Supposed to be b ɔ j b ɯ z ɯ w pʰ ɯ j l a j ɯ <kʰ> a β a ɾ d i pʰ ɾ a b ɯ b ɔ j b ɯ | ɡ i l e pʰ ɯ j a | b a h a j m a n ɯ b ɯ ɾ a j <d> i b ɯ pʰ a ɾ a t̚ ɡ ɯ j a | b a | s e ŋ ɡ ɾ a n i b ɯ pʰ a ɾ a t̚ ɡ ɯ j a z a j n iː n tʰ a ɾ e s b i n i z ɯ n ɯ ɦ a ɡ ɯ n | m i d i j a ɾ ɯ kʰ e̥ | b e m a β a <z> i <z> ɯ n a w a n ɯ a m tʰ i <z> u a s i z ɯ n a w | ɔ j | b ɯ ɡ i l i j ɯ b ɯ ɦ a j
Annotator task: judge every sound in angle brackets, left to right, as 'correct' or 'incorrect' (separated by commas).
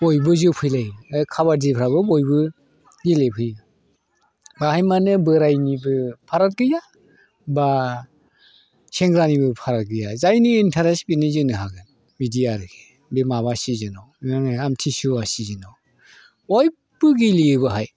correct, incorrect, incorrect, correct, incorrect